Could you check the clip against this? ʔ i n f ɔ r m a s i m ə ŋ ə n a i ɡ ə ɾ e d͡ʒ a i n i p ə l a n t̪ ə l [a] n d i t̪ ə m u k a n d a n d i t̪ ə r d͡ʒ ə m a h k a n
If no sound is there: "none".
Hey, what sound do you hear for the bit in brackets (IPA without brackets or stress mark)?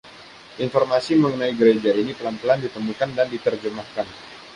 a